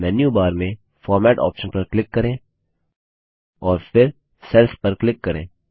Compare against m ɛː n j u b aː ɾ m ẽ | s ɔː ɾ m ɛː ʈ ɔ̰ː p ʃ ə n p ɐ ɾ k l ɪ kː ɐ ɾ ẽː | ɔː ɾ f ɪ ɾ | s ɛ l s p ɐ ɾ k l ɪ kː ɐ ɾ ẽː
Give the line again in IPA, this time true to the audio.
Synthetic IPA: m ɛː n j u b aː ɾ m ẽ | f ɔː ɾ m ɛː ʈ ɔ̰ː p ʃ ə n p ɐ ɾ k l ɪ kː ɐ ɾ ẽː | ɔː ɾ f ɪ ɾ | s ɛ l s p ɐ ɾ k l ɪ kː ɐ ɾ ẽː